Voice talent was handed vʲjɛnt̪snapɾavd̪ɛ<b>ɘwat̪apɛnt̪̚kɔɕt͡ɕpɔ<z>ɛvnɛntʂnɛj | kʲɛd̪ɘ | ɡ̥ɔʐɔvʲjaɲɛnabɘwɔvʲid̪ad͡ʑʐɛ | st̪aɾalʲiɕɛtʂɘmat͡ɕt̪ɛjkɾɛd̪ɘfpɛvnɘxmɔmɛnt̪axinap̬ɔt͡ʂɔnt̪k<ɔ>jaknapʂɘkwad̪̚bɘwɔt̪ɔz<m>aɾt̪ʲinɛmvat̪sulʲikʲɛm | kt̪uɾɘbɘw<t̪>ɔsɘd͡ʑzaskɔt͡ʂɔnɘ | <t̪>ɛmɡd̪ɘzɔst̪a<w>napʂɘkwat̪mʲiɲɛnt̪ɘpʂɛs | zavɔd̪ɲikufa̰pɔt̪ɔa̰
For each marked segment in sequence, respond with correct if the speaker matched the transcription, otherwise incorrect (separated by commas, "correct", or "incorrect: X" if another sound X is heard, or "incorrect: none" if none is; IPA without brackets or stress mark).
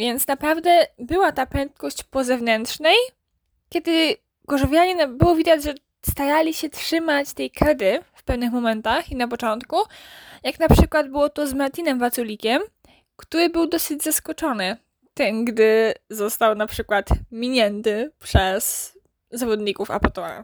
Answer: correct, correct, incorrect: u, correct, incorrect: d̪, correct, correct